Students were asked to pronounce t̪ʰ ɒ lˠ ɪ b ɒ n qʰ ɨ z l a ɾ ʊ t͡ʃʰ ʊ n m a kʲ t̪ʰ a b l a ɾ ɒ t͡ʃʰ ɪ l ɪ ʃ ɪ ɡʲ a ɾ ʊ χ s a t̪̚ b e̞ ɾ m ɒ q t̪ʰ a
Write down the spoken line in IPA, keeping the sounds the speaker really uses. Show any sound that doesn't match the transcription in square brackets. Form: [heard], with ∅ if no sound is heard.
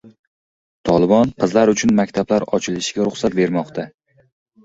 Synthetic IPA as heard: t̪ʰ ɒ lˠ ɪ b ɒ n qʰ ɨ z l a ɾ ʊ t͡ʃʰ ʊ n m a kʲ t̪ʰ a b l a ɾ ɒ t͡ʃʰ ɪ l ɪ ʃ ɪ ɡʲ a ɾ ʊ χ s a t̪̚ b e̞ ɾ m ɒ q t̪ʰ a

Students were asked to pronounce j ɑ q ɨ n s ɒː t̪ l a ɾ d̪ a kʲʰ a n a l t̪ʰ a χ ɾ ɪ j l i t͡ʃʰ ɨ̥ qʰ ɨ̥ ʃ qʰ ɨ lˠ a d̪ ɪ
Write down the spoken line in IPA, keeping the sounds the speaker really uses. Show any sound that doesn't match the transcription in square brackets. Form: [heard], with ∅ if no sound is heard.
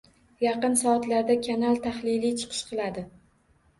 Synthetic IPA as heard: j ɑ q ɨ n s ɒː t̪ l a ɾ d̪ a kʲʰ a n a l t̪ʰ a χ [l] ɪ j l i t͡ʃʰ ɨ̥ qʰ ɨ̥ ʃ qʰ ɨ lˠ a d̪ ɪ

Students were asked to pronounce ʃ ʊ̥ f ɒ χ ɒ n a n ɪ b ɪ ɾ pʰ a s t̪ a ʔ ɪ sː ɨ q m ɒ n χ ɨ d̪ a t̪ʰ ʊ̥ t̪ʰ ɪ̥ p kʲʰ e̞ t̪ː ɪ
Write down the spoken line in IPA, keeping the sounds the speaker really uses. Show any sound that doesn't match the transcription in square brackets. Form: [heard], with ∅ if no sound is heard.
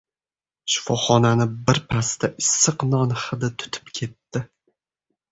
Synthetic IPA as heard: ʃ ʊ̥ f ɒ χ ɒ n a n ɪ b ɪ ɾ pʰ a s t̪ a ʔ ɪ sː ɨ q [n] ɒ n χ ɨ d̪ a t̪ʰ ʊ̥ t̪ʰ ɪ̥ p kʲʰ e̞ t̪ː ɪ

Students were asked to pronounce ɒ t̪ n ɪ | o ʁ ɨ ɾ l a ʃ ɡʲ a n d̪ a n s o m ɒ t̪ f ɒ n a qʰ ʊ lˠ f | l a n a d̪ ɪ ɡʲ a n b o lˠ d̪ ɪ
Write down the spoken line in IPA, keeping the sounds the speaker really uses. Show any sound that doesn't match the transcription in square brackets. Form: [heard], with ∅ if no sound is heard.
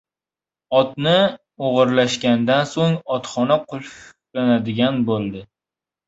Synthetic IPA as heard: ɒ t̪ n ɪ | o ʁ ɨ ɾ l a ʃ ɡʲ a n d̪ a n s o [ŋ] ɒ t̪ [χ] ɒ n a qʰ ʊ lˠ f | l a n a d̪ ɪ ɡʲ a n b o lˠ d̪ ɪ

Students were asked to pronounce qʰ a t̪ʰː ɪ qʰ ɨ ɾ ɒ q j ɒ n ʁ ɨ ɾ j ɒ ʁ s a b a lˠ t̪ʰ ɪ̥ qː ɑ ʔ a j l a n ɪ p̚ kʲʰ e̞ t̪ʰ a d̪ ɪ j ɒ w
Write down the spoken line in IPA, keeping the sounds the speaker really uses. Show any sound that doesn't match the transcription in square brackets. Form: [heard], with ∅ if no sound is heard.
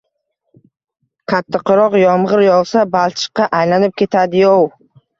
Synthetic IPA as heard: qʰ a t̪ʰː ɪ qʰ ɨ ɾ ɒ q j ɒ [m] ʁ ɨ ɾ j ɒ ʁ s a b a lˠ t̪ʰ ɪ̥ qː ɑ ʔ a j l a n ɪ p̚ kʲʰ e̞ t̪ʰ a d̪ ɪ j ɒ w

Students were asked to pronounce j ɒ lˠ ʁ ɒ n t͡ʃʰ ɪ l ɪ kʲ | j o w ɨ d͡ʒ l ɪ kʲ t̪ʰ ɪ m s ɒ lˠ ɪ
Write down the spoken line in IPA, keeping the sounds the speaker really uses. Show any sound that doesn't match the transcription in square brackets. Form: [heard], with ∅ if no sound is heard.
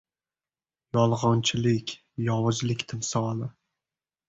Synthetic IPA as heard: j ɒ lˠ ʁ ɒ n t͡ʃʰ ɪ l ɪ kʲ | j [ɒ] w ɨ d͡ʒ l ɪ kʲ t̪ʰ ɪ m s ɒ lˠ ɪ

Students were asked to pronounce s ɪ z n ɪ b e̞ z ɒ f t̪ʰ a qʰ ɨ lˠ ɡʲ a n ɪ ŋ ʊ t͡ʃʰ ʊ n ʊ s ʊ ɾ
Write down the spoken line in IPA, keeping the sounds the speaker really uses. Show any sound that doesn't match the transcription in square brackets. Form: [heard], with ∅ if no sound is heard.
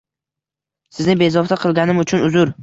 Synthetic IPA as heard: s ɪ z n ɪ b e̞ z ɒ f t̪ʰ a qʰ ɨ lˠ ɡʲ a n ɪ [m] ʊ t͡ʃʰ ʊ n ʊ [z] ʊ ɾ

